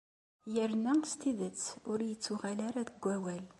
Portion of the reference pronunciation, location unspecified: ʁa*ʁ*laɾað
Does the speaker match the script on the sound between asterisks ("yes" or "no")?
no